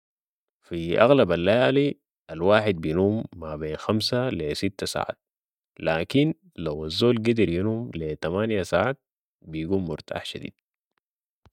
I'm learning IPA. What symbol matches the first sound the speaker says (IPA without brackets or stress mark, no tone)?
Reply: f